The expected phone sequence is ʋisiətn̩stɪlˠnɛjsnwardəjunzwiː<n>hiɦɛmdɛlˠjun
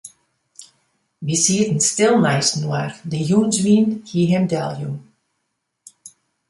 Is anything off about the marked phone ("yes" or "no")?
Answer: no